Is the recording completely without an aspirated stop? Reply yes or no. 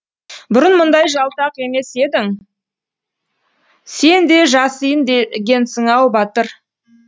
yes